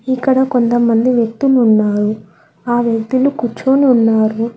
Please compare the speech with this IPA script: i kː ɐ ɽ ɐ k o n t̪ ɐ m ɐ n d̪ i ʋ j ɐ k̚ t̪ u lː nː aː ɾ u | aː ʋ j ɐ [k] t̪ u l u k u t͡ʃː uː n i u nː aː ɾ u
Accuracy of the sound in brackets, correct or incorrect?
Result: correct